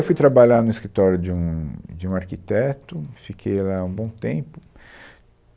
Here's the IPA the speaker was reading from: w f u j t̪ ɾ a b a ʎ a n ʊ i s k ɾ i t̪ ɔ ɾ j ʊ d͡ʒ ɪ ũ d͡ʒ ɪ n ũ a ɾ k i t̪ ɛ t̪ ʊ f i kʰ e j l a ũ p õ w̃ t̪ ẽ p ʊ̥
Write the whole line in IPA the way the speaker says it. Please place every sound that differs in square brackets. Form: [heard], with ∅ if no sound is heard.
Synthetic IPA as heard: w f u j t̪ ɾ a b a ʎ a n ʊ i s k ɾ i t̪ ɔ ɾ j ʊ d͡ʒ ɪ ũ d͡ʒ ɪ [∅] ũ a ɾ k i t̪ ɛ t̪ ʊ f i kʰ e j l a ũ [b] õ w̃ t̪ ẽ p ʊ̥